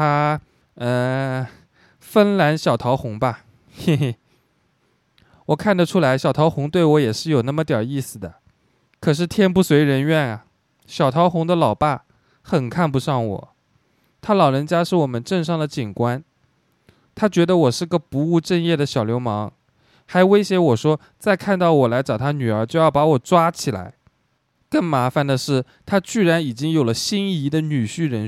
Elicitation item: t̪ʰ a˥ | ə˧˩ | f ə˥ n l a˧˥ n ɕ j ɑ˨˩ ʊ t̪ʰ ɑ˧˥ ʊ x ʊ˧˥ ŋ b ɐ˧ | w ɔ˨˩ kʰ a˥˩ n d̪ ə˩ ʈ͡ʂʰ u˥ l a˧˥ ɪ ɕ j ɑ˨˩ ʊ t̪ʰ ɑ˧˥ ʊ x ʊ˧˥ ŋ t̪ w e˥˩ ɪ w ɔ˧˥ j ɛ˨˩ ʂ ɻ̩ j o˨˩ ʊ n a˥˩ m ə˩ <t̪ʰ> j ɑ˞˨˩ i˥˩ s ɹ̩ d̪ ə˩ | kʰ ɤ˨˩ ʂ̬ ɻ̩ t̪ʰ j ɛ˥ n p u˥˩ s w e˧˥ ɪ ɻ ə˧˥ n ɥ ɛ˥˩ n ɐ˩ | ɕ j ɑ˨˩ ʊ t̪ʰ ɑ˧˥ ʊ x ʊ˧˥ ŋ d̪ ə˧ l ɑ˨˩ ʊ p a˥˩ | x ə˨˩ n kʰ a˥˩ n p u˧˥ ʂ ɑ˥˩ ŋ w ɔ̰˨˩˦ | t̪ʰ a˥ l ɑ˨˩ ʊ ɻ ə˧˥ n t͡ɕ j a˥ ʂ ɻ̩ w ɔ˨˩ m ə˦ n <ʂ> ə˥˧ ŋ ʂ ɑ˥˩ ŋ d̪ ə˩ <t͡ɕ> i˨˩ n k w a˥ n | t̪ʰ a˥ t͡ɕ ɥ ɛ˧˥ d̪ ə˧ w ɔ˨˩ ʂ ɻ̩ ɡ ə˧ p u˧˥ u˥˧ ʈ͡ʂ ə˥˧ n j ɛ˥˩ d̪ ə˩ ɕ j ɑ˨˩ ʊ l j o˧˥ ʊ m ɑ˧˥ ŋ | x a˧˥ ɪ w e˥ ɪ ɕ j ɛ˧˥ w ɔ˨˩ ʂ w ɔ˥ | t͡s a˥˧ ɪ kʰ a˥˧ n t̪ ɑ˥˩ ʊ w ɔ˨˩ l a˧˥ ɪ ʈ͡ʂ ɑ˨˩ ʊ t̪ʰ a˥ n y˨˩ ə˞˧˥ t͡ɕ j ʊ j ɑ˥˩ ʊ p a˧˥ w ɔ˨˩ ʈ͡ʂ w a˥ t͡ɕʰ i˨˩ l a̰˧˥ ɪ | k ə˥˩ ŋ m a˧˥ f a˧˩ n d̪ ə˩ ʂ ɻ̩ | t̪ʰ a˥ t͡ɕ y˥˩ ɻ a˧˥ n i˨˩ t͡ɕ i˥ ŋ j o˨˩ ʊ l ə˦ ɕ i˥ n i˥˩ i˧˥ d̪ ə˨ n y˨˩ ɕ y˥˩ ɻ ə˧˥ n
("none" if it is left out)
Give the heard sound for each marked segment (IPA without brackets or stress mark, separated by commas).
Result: t̪, ʈ͡ʂ, t͡ɕ